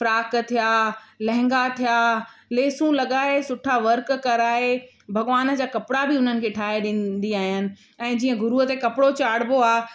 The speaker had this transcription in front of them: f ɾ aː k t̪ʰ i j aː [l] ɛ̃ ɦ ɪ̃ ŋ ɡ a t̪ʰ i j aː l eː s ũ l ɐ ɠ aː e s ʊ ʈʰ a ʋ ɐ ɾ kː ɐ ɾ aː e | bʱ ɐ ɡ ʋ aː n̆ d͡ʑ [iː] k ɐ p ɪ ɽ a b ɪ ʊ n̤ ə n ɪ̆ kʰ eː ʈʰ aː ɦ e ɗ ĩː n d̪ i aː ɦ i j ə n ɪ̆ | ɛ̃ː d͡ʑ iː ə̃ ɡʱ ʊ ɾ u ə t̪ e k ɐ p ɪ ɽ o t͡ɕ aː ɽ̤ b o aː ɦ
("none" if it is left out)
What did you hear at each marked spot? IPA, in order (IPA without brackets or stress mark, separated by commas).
l, aː